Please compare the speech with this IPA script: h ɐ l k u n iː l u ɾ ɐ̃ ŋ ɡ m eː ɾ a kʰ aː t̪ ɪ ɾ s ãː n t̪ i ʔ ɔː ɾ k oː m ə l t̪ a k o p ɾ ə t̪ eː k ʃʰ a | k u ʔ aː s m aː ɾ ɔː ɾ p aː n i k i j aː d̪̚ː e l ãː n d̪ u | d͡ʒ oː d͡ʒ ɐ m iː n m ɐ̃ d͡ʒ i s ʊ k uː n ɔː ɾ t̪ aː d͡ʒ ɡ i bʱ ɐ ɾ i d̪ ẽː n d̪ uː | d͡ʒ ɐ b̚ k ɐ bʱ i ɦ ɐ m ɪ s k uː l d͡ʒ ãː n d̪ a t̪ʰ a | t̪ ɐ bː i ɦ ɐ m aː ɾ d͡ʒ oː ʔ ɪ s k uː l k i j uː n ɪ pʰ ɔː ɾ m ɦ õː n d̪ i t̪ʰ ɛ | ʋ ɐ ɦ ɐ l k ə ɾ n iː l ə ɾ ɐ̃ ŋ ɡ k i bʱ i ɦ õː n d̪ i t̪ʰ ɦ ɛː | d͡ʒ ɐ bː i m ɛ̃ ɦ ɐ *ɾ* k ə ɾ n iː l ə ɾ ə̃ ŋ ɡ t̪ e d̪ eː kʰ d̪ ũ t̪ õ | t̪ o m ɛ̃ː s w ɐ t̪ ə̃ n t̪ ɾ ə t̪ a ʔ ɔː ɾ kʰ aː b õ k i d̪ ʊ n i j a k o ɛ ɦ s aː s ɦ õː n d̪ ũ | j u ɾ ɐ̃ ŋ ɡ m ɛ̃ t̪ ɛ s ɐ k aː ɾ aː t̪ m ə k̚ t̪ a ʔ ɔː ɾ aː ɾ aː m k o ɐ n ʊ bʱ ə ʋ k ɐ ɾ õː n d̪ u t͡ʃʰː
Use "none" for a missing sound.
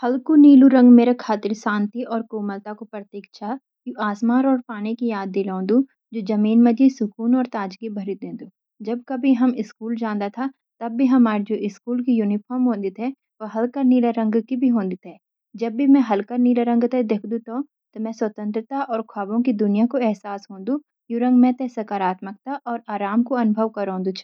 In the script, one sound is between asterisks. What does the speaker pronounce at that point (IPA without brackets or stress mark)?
l